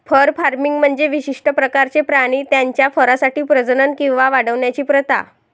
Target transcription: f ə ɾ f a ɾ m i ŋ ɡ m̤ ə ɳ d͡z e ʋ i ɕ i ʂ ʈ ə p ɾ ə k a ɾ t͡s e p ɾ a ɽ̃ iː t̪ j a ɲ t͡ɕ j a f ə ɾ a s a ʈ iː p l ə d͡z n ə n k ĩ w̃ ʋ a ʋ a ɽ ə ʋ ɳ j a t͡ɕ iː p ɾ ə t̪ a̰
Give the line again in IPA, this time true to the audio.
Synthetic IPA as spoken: f ə ɾ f a ɾ m i ŋ ɡ m̤ ə ɳ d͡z e ʋ i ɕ i ʂ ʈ ə p ɾ ə k a ɾ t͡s e p ɾ a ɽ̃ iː t̪ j a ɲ t͡ɕ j a f ə ɾ a s a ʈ iː p ɾ ə d͡z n ə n k ĩ w̃ ʋ a ʋ a ɽ ə ʋ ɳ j a t͡ɕ iː p ɾ ə t̪ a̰